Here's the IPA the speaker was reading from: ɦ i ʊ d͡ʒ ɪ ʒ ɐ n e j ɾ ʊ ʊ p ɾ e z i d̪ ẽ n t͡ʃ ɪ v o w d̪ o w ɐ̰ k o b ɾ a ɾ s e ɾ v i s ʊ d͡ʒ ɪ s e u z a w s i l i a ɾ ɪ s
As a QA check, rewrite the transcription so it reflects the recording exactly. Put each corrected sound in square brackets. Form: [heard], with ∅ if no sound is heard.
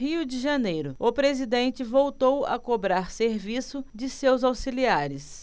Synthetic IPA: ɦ i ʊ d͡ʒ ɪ ʒ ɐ n e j ɾ ʊ ʊ p ɾ e z i d̪ ẽ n t͡ʃ ɪ v o w [t̪] o w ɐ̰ k o b ɾ a ɾ s e ɾ v i s ʊ d͡ʒ ɪ s e [w] z a w s i l i a ɾ ɪ s